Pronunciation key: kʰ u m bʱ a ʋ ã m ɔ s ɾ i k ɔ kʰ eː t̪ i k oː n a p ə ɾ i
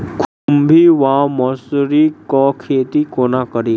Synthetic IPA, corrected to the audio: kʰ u m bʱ i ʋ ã m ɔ s ɾ i k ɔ kʰ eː t̪ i k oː n a k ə ɾ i